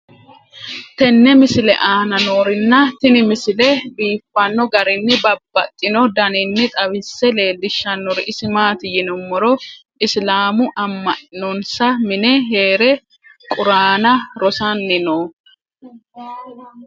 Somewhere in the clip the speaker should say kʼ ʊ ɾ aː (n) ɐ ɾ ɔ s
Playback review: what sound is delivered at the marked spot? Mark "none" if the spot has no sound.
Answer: n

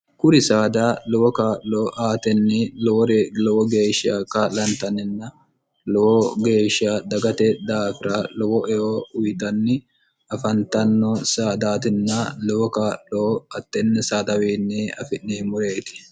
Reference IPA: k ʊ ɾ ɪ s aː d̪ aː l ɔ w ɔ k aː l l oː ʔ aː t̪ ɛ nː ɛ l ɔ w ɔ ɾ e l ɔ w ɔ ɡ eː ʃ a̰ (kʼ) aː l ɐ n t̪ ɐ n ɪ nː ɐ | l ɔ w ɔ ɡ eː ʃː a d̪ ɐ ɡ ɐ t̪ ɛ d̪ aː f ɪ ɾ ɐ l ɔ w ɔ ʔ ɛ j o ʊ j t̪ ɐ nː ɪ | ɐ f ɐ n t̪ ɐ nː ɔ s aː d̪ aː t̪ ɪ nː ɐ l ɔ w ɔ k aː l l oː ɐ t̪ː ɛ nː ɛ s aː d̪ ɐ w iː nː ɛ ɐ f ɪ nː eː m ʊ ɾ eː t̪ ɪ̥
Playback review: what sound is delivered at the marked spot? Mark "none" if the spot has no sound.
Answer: k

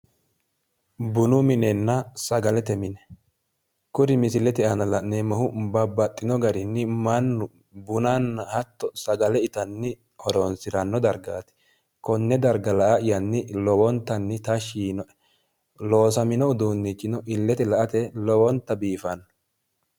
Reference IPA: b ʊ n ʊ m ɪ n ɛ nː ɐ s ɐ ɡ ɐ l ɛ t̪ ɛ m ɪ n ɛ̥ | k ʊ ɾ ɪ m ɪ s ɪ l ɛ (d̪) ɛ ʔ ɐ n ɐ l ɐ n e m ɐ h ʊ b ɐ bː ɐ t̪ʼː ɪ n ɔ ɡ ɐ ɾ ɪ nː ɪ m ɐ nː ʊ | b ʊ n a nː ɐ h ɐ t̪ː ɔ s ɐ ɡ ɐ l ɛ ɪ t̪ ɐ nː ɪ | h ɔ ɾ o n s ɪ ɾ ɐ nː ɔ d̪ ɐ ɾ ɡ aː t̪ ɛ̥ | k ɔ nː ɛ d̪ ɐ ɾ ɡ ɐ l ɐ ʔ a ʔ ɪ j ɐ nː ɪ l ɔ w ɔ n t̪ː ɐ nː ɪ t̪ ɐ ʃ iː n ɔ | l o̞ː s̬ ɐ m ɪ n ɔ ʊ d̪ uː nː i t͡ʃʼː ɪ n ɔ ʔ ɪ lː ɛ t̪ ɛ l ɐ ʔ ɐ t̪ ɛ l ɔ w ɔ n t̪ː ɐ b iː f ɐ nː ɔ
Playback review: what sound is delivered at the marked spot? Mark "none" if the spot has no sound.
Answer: t̪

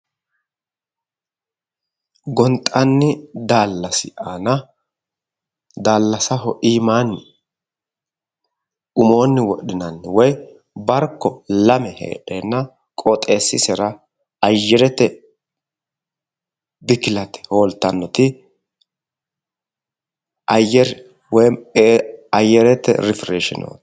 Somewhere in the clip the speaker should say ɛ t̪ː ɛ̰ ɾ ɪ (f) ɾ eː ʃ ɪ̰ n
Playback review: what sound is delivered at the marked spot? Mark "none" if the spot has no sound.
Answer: f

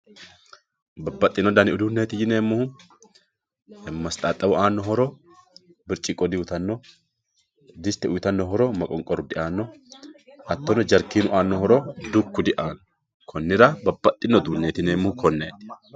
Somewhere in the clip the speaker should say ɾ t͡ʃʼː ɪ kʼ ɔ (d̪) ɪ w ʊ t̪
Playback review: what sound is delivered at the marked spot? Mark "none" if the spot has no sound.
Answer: d̪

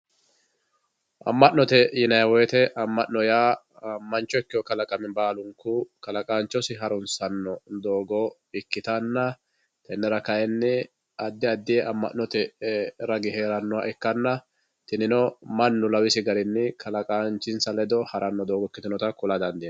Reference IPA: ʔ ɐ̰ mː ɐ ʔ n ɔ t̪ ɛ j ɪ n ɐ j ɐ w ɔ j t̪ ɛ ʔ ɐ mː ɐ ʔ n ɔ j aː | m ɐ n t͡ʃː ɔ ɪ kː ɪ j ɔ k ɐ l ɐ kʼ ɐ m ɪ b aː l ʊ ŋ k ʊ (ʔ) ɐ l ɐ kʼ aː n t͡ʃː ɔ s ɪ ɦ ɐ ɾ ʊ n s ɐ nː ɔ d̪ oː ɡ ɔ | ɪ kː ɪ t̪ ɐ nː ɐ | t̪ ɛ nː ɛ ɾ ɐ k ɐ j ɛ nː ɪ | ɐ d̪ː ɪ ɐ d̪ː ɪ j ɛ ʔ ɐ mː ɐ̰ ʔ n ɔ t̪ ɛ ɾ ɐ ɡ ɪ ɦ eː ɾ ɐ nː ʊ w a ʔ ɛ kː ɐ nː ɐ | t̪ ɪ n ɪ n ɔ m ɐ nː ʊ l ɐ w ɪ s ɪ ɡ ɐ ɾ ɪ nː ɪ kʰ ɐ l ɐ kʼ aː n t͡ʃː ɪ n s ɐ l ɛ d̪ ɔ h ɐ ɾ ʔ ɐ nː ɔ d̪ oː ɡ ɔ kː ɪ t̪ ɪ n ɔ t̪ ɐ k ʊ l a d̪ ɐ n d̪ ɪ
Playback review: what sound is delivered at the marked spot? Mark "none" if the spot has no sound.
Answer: k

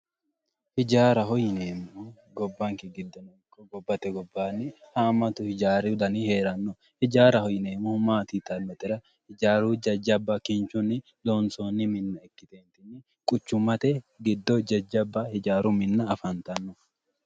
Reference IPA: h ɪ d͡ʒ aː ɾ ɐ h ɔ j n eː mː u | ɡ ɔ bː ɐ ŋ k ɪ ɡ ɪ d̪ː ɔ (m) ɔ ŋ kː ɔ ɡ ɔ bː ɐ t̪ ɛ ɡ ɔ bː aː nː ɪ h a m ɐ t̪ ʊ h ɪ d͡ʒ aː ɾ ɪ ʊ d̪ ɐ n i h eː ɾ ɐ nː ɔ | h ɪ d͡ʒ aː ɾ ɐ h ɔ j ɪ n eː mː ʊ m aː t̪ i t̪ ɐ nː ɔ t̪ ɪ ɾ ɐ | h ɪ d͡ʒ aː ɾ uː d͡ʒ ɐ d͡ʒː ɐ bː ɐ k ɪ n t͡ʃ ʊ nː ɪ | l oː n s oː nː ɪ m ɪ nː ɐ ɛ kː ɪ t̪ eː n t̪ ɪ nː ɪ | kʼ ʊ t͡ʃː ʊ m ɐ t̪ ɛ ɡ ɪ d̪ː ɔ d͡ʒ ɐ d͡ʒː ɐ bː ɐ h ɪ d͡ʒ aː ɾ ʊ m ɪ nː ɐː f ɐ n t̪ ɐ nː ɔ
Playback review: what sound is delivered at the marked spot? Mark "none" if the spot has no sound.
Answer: n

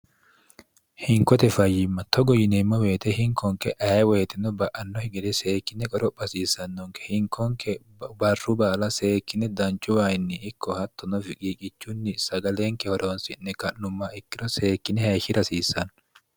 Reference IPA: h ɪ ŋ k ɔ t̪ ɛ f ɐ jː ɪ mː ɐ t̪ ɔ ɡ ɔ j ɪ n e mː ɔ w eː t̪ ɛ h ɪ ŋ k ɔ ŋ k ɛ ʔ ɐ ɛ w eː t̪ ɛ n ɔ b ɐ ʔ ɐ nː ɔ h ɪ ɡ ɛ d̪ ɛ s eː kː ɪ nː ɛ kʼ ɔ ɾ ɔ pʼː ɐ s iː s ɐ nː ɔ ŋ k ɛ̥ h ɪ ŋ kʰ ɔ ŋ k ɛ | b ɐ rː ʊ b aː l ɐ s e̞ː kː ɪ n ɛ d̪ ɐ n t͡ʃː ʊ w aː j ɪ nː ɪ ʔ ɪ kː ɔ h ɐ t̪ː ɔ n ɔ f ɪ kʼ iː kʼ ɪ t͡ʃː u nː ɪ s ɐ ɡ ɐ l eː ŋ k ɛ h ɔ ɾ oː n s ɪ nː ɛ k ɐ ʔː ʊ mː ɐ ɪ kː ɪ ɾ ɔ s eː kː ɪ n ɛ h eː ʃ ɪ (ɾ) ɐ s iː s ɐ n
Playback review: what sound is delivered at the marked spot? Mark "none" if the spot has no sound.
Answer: ɾ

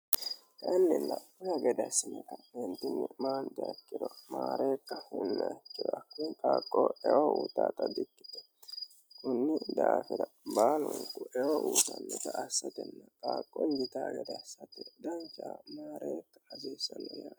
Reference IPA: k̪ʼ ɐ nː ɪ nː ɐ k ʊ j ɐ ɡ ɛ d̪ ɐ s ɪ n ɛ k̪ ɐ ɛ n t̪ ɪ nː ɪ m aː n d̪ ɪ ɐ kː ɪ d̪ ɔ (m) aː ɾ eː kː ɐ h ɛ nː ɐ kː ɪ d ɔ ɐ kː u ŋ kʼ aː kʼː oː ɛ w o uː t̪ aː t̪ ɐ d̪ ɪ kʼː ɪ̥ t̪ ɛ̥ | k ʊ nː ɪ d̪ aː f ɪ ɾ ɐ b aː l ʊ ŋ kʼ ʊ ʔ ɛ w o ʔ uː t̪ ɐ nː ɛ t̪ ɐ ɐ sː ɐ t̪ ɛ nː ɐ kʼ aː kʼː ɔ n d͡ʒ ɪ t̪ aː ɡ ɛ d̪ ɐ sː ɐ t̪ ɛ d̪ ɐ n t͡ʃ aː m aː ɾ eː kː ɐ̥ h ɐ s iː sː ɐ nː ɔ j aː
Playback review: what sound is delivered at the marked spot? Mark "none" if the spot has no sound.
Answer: m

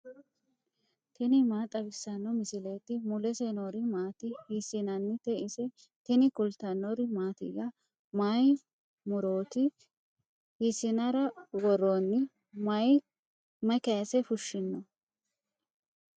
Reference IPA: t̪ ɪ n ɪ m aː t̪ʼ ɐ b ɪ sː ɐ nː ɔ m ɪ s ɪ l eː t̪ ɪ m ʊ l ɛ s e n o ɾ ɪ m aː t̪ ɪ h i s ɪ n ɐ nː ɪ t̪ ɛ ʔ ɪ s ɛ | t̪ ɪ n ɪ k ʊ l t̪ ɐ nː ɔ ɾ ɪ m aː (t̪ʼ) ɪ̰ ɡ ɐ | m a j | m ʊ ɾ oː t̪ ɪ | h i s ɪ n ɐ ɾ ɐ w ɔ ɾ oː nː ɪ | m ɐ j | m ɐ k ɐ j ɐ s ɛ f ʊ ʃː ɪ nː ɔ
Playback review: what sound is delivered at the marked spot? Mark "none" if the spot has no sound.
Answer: t̪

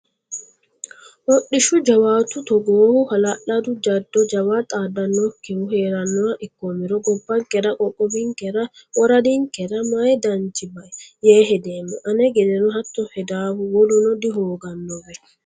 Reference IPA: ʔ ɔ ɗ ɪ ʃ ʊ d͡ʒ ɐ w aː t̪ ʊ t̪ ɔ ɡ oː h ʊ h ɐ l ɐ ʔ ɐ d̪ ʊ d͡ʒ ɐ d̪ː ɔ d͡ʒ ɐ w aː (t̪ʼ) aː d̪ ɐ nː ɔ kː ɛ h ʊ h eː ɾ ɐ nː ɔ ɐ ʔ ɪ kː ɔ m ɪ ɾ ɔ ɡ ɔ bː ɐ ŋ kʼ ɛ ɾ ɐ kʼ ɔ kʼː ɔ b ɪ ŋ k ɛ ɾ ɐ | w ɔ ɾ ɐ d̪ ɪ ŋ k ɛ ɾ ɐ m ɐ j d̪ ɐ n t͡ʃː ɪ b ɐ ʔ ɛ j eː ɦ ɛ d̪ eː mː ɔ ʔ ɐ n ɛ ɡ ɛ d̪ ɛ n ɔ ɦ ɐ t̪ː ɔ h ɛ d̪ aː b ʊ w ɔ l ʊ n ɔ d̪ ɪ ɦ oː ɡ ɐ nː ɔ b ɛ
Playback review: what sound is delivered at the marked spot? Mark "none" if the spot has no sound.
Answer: t̪ʼ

